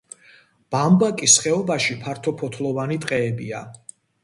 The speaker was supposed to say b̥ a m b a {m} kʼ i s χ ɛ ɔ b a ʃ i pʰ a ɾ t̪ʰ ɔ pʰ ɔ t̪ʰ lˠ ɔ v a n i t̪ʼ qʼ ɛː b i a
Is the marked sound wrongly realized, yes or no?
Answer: yes